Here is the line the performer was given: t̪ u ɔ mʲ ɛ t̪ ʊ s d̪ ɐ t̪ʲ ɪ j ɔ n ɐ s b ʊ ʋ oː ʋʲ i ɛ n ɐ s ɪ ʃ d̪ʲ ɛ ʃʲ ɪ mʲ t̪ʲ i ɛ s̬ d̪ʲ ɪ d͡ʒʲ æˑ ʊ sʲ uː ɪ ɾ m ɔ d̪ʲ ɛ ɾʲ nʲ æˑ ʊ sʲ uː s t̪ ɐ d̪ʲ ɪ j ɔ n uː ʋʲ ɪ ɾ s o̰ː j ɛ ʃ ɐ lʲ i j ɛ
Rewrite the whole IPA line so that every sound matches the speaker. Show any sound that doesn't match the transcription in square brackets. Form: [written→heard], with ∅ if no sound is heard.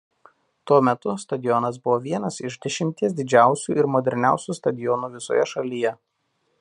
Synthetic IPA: t̪ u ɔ mʲ ɛ t̪ ʊ s [d̪→t̪] ɐ [t̪ʲ→d̪ʲ] ɪ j ɔ n ɐ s b ʊ ʋ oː ʋʲ i ɛ n ɐ s ɪ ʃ d̪ʲ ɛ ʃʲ ɪ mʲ t̪ʲ i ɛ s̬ d̪ʲ ɪ d͡ʒʲ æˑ ʊ sʲ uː ɪ ɾ m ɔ d̪ʲ ɛ ɾʲ nʲ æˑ ʊ sʲ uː s t̪ ɐ d̪ʲ ɪ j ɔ n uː ʋʲ ɪ [ɾ→∅] s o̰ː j ɛ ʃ ɐ lʲ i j ɛ